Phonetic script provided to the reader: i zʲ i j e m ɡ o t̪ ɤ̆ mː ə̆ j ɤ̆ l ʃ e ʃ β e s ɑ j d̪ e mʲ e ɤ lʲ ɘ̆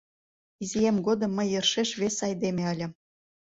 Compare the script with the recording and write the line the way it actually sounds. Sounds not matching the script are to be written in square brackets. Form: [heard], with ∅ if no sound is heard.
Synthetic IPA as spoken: i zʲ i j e m ɡ o [d̪] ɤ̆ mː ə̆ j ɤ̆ [r] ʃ e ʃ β e s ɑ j d̪ e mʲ e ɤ lʲ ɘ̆